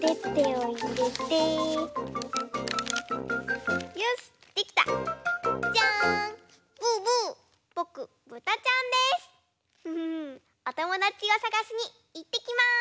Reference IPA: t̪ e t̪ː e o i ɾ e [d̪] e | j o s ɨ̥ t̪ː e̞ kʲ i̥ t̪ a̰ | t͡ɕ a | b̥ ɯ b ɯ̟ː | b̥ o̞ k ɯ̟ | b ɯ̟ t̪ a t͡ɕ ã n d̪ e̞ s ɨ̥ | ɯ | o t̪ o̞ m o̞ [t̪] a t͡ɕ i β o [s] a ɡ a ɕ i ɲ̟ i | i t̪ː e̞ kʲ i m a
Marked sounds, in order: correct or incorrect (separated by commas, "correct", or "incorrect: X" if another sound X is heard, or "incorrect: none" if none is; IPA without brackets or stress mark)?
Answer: incorrect: t̪, incorrect: d̪, correct